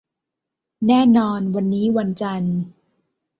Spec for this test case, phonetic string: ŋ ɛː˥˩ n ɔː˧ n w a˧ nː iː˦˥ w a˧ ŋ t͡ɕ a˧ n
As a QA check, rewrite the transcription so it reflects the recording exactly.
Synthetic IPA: n ɛː˥˩ n ɔː˧ n w a˧ nː iː˦˥ w a˧ n t͡ɕ a˧ n